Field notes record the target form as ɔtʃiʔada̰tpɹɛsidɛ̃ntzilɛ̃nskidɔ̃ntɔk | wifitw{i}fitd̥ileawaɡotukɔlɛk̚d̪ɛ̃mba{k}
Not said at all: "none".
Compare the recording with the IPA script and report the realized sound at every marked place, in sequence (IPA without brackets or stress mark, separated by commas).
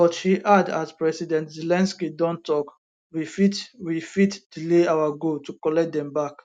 i, k